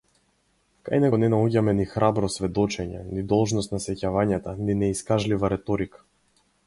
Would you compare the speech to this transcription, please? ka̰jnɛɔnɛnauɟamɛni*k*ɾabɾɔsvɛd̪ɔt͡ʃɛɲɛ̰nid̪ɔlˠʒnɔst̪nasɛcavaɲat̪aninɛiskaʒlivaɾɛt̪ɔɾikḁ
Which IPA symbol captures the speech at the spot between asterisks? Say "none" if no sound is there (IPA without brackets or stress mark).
x